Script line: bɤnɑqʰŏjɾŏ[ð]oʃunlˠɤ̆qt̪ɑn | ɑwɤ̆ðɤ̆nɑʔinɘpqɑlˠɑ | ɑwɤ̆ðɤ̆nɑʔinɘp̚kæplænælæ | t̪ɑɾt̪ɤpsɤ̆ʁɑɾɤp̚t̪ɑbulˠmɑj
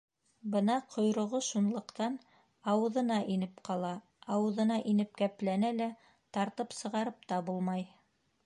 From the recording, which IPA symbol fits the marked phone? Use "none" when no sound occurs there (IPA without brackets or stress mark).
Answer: ʁ